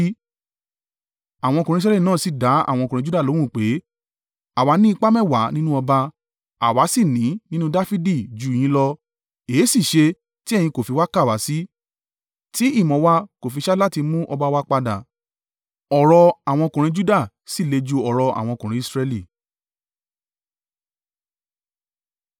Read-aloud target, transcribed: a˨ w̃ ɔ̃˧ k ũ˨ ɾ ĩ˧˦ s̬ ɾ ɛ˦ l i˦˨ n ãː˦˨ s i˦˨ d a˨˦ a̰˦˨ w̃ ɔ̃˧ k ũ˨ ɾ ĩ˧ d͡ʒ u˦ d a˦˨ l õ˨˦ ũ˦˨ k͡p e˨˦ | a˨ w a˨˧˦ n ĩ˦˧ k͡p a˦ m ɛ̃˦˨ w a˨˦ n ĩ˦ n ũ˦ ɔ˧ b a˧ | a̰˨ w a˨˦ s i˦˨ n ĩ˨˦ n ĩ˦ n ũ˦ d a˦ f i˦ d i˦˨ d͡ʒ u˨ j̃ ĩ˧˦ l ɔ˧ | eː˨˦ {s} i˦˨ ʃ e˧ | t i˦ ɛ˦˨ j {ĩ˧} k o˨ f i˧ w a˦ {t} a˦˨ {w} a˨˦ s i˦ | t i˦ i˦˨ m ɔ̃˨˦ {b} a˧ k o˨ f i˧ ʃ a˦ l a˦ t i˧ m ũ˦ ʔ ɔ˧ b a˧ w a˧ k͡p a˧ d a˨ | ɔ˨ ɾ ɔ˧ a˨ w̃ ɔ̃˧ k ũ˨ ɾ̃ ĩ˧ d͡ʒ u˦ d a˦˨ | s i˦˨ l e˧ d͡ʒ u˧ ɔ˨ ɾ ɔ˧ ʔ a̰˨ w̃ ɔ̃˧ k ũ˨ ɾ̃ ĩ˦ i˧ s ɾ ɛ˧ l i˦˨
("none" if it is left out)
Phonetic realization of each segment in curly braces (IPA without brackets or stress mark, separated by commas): s, ĩ˧, k, w, w